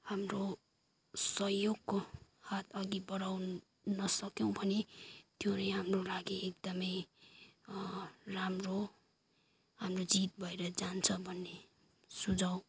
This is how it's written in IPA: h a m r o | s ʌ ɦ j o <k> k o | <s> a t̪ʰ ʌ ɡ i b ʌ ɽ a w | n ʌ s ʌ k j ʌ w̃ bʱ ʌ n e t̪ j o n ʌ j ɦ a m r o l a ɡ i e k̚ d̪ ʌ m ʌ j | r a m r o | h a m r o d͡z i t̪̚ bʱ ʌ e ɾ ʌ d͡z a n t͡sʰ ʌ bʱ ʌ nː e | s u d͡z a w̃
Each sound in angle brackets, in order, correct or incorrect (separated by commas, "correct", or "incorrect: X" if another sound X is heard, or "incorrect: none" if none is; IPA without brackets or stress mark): incorrect: ɡ, incorrect: h